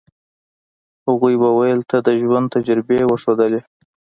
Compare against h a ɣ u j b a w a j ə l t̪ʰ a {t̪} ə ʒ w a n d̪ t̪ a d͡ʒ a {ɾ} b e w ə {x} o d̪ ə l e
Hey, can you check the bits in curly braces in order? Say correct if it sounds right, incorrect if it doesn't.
incorrect, correct, incorrect

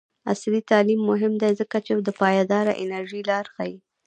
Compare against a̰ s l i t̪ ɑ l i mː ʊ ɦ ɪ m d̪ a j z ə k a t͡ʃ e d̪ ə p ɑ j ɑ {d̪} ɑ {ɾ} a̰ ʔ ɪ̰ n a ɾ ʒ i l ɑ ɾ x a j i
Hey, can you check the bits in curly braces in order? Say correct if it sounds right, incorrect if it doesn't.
correct, correct

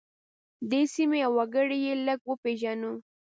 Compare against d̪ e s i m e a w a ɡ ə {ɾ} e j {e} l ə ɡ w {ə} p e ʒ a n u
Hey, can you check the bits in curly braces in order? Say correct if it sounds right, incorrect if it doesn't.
incorrect, correct, correct

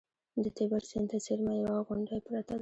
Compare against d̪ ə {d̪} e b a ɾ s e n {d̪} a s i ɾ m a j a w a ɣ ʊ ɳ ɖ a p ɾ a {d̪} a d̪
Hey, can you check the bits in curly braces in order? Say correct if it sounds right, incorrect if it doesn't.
incorrect, incorrect, incorrect

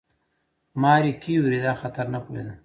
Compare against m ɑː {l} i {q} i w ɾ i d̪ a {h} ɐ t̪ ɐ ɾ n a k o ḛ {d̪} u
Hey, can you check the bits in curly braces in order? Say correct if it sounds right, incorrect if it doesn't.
incorrect, incorrect, incorrect, correct

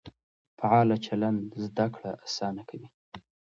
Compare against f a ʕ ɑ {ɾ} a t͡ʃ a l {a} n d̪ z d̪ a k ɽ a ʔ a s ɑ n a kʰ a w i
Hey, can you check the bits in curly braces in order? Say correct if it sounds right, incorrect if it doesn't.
incorrect, correct

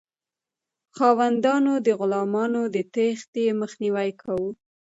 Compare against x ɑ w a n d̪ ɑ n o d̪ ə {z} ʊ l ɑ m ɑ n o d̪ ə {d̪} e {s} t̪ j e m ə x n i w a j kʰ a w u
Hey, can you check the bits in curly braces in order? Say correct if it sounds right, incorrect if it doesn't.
incorrect, incorrect, incorrect

